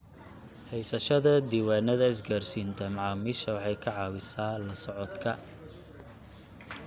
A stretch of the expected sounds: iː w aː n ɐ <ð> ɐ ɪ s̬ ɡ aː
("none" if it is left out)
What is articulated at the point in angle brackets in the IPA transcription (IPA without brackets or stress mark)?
ð